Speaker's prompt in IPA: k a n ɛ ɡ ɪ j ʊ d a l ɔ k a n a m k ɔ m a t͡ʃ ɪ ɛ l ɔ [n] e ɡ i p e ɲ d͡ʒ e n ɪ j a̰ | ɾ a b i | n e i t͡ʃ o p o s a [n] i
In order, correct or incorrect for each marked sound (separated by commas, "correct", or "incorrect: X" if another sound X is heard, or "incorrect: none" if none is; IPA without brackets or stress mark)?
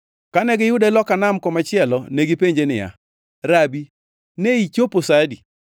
correct, incorrect: d